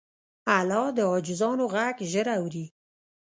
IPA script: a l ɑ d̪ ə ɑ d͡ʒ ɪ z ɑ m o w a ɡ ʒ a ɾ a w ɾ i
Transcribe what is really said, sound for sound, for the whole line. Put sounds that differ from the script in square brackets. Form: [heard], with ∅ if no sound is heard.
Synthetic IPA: a l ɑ d̪ ə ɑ d͡ʒ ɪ z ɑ [n] o [ɣ] a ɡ ʒ [ə] ɾ a w ɾ i